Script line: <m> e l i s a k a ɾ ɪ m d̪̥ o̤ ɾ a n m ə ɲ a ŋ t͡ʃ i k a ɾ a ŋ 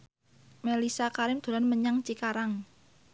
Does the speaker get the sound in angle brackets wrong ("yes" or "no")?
no